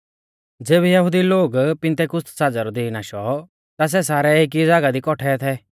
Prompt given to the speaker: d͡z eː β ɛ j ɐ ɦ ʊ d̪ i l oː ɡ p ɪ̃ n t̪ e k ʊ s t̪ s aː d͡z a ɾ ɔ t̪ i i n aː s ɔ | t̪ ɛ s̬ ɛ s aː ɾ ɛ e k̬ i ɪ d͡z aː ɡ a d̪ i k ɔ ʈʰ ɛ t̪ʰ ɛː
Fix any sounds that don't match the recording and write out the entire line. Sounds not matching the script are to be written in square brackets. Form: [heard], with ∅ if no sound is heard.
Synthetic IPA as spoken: d͡z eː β ɛ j ɐ ɦ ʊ d̪ i l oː ɡ p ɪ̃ n t̪ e k ʊ s t̪ s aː d͡z a ɾ ɔ [d̪] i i n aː [ʃ] ɔ | t̪ [a] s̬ ɛ s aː ɾ ɛ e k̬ i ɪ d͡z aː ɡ a d̪ i k ɔ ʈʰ ɛ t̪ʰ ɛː